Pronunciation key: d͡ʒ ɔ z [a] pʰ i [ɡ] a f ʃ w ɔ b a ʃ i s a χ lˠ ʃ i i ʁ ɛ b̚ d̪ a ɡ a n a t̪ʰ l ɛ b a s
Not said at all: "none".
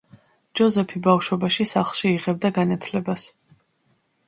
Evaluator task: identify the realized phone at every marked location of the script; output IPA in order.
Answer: ɛ, b

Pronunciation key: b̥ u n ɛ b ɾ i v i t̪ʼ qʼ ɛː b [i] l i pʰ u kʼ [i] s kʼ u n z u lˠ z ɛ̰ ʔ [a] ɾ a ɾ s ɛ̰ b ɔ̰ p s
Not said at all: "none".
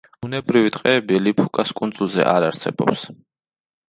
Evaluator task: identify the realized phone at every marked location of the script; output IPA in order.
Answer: i, a, a

